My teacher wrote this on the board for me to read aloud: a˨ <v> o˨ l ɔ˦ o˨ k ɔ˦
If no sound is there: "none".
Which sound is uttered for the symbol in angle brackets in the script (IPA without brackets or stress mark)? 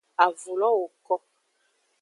v